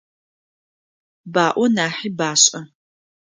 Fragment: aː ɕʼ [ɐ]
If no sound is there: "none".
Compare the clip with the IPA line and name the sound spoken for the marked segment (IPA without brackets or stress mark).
ɐ